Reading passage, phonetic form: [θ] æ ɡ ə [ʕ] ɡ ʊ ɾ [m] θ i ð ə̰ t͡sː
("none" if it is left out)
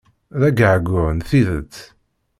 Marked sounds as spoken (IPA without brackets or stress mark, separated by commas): ð, ʕ, n